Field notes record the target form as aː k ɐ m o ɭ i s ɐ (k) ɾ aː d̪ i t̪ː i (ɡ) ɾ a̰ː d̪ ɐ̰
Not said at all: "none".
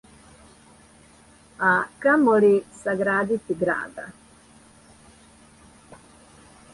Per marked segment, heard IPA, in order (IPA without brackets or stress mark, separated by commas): ɡ, ɡ